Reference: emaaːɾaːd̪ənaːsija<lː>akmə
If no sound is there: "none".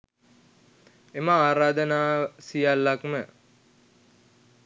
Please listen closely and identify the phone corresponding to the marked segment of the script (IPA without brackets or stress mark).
lː